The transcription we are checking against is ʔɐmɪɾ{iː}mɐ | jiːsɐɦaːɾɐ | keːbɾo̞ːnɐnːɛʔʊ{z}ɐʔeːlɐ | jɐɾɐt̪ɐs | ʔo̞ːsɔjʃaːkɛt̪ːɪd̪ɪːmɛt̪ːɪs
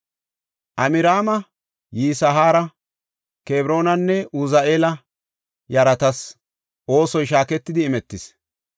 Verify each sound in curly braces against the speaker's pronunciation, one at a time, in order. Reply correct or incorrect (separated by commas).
incorrect, correct